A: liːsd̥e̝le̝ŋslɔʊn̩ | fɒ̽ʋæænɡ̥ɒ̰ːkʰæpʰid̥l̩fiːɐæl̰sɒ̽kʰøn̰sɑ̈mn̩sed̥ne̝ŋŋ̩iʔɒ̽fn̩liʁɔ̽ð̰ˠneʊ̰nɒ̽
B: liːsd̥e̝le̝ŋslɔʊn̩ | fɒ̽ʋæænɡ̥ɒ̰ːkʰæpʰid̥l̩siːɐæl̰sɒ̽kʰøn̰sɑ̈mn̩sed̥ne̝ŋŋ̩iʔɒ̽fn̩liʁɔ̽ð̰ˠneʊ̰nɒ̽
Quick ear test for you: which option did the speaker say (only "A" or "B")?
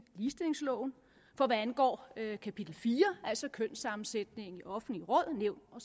A